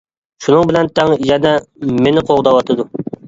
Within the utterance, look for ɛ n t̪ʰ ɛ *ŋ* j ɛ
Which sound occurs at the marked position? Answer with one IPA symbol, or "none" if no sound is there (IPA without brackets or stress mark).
ŋ